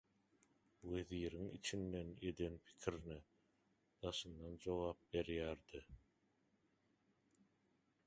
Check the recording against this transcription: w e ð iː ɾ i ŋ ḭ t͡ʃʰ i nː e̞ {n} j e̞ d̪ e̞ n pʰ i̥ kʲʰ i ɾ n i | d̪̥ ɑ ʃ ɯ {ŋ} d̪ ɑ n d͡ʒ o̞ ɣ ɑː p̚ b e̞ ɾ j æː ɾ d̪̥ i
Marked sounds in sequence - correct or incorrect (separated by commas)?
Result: correct, incorrect